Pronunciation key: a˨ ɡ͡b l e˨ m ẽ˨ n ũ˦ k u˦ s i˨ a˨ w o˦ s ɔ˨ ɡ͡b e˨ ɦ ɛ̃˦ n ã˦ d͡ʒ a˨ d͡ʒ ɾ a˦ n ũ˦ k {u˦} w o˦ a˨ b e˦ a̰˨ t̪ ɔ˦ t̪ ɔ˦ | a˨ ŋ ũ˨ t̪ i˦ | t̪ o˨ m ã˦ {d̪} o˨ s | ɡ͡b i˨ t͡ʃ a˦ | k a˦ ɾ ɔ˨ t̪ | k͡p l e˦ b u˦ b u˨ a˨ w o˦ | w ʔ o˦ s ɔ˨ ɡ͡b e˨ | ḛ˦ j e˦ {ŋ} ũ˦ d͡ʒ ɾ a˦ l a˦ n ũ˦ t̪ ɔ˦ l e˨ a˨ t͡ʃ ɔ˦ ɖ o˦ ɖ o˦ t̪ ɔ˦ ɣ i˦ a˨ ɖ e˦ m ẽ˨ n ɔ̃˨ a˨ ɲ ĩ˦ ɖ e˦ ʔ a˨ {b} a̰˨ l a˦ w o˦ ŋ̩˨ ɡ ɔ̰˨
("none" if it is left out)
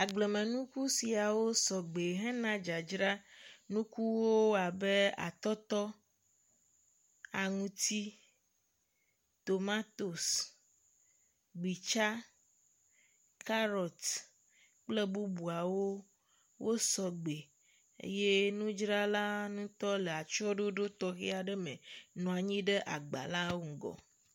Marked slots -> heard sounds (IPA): u˦, t̪, n, ɡ͡b

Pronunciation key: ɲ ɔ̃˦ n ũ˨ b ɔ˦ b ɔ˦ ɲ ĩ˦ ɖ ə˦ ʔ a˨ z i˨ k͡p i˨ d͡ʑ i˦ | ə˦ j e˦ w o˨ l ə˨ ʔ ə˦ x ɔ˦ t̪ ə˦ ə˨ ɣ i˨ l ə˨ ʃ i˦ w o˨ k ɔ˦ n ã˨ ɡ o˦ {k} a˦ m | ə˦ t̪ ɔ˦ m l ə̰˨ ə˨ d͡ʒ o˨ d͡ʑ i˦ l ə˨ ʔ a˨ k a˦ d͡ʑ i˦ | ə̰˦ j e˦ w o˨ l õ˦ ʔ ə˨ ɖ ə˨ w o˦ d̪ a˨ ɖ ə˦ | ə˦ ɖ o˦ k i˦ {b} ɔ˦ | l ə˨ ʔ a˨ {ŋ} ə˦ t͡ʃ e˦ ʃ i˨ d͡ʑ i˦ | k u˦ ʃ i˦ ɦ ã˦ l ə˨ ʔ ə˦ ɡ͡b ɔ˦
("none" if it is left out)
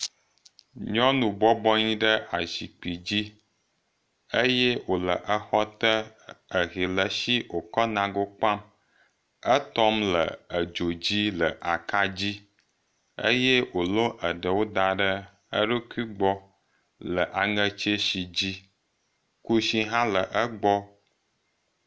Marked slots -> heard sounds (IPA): k͡p, ɡ͡b, ŋ

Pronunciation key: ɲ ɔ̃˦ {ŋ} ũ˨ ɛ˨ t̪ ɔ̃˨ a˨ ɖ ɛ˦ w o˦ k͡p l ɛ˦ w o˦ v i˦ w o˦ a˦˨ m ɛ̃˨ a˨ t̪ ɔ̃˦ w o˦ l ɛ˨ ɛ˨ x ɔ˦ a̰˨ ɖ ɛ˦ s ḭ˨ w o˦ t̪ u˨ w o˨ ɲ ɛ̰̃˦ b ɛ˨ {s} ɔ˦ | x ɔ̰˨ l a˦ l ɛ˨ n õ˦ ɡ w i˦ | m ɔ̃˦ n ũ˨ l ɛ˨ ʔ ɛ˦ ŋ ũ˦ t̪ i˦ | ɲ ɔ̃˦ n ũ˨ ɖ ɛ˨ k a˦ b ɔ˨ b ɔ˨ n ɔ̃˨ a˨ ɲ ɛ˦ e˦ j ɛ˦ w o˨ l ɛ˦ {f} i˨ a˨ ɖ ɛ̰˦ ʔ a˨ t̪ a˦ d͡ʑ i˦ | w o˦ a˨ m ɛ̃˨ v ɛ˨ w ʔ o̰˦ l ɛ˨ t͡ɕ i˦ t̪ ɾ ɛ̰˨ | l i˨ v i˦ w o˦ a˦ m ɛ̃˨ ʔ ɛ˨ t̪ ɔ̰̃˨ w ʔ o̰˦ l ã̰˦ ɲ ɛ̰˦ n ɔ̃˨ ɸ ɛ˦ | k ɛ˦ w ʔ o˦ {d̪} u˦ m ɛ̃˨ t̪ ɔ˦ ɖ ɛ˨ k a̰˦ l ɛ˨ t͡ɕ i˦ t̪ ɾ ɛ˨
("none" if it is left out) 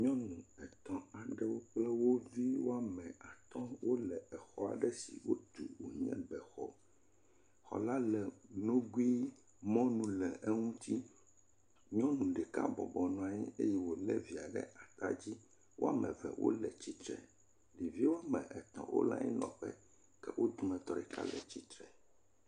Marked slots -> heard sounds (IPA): n, x, v, d̪

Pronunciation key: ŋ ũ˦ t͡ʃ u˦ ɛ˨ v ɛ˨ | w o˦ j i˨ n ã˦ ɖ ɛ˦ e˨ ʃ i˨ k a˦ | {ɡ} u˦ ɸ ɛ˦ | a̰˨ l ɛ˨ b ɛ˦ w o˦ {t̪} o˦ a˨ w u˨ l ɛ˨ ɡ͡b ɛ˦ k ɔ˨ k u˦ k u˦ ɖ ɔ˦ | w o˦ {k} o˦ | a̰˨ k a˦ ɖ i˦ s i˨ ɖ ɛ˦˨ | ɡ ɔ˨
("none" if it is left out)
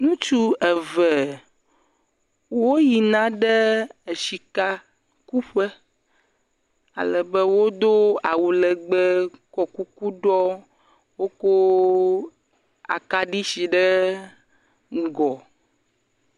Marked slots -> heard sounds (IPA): k, d̪, k

